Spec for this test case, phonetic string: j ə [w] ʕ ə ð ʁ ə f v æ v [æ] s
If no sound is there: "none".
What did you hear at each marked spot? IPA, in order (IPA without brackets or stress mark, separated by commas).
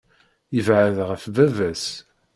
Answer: v, æ